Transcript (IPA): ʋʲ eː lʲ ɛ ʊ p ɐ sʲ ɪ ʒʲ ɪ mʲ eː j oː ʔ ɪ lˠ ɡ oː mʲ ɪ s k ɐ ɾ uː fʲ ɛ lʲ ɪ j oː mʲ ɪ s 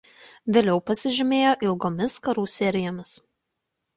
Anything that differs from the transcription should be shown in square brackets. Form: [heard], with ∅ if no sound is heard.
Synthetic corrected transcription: ʋʲ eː lʲ ɛ ʊ p ɐ sʲ ɪ ʒʲ ɪ mʲ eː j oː ʔ ɪ lˠ ɡ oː mʲ ɪ s k ɐ ɾ uː [sʲ] ɛ [ɾʲ] ɪ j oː mʲ ɪ s